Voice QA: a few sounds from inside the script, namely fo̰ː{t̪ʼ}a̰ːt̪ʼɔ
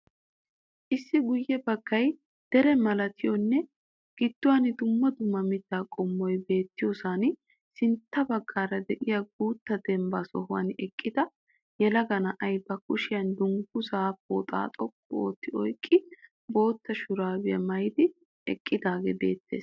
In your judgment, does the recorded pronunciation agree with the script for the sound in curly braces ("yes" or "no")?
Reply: yes